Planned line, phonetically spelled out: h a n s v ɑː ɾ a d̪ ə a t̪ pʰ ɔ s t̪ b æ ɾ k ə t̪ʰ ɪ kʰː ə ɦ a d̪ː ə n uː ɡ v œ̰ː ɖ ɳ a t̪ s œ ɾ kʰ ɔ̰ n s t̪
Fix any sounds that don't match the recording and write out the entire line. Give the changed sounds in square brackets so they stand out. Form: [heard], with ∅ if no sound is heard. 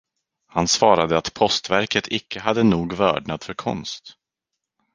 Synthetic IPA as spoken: h a n s v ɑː ɾ a d̪ ə a t̪ pʰ ɔ s t̪ [v] æ ɾ k ə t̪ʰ ɪ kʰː ə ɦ a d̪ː ə n uː ɡ v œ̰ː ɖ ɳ a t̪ [f] œ ɾ kʰ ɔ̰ n s t̪